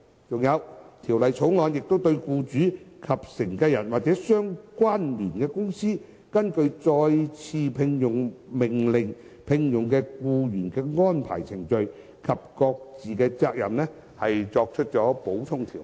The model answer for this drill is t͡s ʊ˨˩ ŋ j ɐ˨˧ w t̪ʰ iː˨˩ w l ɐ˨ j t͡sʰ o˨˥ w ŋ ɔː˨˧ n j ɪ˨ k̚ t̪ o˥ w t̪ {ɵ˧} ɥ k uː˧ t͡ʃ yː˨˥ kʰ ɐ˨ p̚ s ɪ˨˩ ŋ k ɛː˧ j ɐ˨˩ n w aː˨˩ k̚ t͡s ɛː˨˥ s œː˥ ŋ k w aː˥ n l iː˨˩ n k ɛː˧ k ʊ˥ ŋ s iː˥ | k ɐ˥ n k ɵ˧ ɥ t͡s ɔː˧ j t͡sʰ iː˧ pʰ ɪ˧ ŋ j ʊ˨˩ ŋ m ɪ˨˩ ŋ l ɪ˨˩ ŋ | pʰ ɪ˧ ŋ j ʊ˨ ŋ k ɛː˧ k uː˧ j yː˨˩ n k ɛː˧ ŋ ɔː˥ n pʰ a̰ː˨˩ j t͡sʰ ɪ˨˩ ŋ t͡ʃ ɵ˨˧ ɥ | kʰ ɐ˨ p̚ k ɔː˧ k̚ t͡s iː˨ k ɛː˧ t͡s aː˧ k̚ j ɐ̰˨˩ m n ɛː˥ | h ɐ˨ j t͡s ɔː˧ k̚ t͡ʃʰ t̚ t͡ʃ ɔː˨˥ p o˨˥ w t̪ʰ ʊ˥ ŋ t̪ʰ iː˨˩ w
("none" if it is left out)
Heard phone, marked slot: ɵ˧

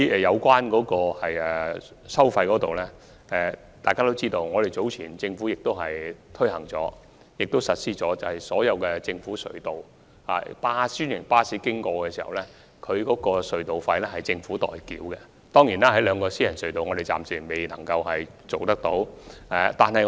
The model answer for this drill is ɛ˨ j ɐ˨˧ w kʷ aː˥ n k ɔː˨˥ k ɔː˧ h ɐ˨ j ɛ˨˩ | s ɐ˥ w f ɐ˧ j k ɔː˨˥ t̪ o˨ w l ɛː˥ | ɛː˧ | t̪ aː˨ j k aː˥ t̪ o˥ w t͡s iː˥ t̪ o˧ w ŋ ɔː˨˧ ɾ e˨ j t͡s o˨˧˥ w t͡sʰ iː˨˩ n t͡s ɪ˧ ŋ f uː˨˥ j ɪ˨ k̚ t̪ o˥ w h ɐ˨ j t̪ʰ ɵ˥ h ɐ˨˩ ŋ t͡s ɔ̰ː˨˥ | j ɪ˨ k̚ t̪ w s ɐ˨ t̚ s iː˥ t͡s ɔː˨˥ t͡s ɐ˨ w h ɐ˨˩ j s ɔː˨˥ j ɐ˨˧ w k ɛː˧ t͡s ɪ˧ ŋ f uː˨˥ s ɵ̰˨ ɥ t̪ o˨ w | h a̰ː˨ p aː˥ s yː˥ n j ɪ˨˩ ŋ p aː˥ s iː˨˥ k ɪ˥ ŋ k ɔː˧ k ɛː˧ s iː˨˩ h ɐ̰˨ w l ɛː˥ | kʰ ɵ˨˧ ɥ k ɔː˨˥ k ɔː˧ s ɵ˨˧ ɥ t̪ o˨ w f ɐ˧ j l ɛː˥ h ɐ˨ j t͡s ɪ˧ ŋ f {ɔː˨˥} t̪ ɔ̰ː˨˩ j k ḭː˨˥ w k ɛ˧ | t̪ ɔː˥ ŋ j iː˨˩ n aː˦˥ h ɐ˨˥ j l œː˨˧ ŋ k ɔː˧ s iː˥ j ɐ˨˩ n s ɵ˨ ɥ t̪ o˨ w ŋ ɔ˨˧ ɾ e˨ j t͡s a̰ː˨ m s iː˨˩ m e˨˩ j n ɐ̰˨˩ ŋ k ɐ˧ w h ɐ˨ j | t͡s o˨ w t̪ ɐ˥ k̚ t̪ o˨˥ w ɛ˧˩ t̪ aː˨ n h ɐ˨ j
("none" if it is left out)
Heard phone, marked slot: uː˨˥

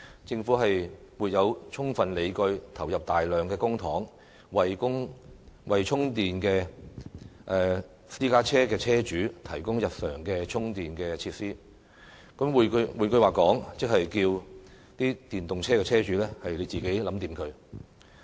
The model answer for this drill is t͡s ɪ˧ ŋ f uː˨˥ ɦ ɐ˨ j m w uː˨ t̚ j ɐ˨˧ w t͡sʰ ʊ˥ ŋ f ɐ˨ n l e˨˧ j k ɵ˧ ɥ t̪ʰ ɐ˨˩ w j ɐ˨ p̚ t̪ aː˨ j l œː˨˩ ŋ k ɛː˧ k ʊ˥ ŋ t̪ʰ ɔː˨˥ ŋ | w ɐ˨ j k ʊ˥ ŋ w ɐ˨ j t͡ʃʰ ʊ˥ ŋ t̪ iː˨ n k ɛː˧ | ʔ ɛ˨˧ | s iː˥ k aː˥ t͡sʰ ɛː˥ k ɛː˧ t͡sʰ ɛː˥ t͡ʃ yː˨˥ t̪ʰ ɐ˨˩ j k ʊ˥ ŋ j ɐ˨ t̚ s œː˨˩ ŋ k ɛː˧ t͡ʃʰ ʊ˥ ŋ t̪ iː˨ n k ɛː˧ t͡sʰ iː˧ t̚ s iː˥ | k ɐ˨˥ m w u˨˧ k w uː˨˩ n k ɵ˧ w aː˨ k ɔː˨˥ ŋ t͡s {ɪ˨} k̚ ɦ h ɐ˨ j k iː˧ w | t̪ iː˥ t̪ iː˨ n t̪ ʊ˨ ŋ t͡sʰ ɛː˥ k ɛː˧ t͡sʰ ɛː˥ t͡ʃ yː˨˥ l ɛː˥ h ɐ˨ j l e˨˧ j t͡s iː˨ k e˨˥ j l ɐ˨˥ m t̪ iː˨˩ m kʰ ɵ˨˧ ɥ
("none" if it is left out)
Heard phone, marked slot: ɪ˥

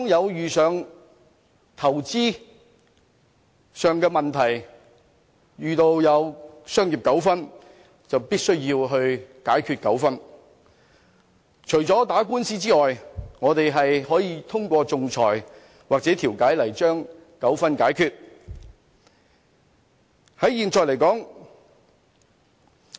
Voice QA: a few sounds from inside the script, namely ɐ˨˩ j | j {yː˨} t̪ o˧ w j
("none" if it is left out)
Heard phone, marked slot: yː˨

